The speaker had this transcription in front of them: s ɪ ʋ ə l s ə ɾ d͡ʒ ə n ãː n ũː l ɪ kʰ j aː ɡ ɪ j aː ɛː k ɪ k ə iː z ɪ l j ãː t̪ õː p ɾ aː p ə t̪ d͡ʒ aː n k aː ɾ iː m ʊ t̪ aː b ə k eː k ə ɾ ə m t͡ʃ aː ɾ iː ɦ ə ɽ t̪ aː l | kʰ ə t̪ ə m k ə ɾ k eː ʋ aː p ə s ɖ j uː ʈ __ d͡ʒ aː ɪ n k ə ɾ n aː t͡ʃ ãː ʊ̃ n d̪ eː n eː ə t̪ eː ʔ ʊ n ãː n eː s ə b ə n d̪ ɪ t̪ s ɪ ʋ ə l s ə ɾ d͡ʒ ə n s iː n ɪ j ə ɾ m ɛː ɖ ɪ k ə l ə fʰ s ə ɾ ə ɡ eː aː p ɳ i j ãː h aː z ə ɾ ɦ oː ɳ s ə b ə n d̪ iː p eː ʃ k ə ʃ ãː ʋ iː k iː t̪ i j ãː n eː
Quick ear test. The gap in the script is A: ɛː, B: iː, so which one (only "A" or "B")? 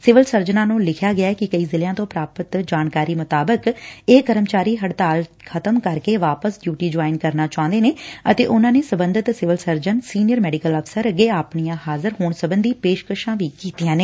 B